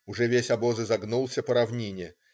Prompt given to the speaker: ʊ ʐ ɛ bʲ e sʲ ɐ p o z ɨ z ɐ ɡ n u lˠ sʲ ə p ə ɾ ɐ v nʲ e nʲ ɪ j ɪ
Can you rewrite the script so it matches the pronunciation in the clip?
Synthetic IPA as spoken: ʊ ʐ ɛ vʲ e sʲ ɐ b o z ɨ z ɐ ɡ n u lˠ sʲ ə p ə ɾ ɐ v nʲ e nʲ ɪ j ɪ